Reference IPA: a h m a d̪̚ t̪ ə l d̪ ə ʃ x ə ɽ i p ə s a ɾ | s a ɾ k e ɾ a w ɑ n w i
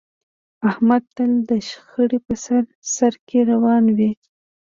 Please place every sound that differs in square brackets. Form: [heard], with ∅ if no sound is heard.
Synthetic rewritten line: a h m a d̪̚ t̪ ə l d̪ ə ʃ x ə ɽ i p ə s a ɾ | s a ɾ k e ɾ a w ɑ n w i